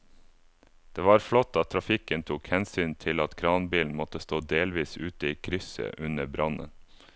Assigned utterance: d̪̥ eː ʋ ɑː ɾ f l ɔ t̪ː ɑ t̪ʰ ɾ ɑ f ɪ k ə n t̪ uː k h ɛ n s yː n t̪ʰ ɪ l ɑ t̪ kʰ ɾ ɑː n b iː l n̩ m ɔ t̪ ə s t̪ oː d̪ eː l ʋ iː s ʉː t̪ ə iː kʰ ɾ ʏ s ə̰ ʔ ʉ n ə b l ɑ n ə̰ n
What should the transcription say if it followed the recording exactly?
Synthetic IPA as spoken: d̪̥ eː ʋ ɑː ɾ f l ɔ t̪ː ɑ t̪ʰ ɾ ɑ f ɪ k ə n t̪ʰ uː k h ɛ n s yː n t̪ʰ ɪ l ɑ t̪ kʰ ɾ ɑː n b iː l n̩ m ɔ t̪ ə s t̪ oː d̪ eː l ʋ iː s ʉː t̪ ə iː kʰ ɾ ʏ s ə̰ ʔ ʉ n ə b ɾ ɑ n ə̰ n